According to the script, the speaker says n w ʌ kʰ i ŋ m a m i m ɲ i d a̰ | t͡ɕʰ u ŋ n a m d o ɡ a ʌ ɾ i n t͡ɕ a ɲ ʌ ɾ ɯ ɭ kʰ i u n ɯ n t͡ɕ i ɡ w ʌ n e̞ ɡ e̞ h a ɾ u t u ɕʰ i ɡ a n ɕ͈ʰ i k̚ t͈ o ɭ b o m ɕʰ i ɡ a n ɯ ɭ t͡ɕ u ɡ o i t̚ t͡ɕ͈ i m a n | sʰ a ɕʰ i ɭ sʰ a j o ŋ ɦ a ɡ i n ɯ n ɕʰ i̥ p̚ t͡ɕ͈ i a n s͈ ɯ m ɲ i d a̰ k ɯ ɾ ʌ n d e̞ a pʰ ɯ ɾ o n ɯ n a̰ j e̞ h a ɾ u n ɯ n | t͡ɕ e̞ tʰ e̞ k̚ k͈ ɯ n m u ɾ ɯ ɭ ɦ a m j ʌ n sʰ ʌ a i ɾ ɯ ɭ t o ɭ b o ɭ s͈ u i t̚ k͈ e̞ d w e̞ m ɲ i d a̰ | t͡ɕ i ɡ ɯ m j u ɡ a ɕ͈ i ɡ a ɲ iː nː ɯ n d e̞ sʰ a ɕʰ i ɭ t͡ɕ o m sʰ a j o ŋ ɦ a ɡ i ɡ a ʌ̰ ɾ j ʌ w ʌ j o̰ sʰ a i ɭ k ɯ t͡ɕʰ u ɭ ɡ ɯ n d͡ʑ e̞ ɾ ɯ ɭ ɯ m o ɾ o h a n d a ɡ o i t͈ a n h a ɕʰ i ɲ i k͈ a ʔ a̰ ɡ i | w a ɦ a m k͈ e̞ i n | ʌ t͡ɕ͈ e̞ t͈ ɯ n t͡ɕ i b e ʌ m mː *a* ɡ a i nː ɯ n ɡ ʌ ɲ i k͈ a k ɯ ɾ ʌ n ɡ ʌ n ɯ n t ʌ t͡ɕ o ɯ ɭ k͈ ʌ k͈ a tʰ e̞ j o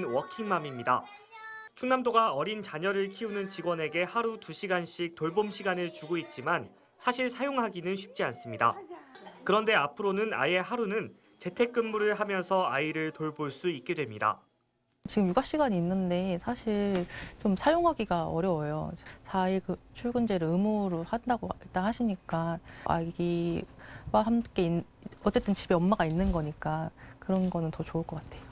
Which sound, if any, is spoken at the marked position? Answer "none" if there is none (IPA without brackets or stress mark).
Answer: a